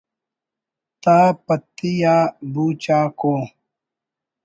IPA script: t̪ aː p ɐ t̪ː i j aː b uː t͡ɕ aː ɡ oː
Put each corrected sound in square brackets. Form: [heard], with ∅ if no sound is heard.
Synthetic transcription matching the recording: t̪ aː p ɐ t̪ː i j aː b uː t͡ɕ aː [k] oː